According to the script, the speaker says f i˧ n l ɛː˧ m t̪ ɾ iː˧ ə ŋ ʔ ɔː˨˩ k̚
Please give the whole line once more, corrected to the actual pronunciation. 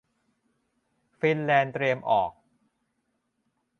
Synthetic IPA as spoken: f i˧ n l ɛː˧ n t̪ ɾ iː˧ ə m ʔ ɔː˨˩ k̚